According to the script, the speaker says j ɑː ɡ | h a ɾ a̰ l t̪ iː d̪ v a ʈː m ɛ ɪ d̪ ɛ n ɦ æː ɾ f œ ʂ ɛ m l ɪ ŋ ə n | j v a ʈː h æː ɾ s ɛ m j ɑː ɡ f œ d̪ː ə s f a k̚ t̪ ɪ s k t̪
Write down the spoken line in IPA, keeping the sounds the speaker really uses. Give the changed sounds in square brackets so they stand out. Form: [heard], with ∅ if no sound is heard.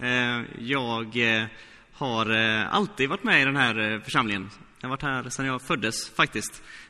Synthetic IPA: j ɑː ɡ | h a ɾ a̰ l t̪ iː d̪ v a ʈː m ɛ ɪ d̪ ɛ n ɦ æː ɾ f œ ʂ [a] m l ɪ ŋ ə n | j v a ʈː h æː ɾ s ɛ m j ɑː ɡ f œ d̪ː ə s f a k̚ t̪ ɪ s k t̪